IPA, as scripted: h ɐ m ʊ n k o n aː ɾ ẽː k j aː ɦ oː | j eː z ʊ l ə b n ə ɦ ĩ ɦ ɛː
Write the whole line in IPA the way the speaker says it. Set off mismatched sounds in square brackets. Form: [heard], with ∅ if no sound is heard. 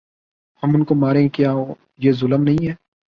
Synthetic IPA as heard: h ɐ m ʊ n k o [m] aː ɾ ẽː k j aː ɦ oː | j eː z ʊ l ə [m] n [ɐ] ɦ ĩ ɦ ɛː